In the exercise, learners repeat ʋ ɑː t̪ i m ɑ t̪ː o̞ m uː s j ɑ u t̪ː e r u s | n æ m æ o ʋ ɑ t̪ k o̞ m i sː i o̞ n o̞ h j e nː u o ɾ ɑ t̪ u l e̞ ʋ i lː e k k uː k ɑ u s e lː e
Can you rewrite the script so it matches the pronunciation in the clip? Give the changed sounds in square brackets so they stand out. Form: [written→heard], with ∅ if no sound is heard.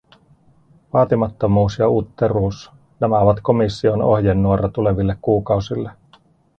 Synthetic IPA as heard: ʋ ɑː t̪ i m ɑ t̪ː o̞ m uː s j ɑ u t̪ː e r [u→uː] s | n æ m æ o ʋ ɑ t̪ k o̞ m i sː i o̞ n o̞ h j e nː u o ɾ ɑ t̪ u l e̞ ʋ i lː e k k uː k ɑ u s [e→i] lː e